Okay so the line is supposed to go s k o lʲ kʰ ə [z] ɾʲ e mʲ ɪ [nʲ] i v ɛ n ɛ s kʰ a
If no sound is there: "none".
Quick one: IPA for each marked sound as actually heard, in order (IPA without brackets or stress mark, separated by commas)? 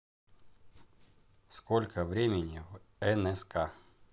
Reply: v, nʲ